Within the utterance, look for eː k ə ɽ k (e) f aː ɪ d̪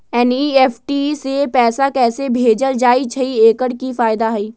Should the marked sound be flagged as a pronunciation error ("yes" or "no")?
yes